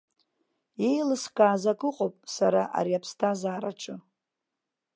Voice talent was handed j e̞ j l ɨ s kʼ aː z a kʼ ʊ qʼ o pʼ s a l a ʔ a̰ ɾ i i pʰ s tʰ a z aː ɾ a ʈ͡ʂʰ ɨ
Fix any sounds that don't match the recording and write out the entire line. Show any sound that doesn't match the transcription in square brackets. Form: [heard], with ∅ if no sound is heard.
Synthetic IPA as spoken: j e̞ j l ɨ s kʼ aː z a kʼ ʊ qʼ o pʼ s a [ɾ] a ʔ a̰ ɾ i [a] pʰ s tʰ a z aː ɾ a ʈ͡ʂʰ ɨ